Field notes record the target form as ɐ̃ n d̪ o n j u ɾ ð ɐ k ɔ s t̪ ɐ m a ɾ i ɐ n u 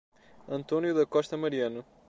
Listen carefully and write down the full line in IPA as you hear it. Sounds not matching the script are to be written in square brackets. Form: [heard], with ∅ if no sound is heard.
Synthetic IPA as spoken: ɐ̃ n [t̪] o n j u [∅] ð ɐ k ɔ [ʃ] t̪ ɐ m [ɐ] ɾ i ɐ n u